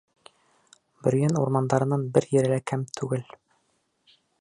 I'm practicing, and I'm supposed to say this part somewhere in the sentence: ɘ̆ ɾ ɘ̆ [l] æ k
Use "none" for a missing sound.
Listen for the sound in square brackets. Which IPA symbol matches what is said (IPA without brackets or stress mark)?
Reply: l